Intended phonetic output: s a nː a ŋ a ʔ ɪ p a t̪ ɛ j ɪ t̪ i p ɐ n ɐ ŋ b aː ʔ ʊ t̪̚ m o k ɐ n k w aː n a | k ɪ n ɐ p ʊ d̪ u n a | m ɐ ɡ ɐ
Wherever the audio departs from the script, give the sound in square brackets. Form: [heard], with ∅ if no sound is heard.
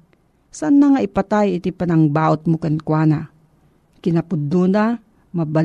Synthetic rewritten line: s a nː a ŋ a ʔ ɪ p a t̪ [a] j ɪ t̪ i p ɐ n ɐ ŋ b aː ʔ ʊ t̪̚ m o k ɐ n k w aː n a | k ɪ n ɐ p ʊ d̪ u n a | m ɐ [b] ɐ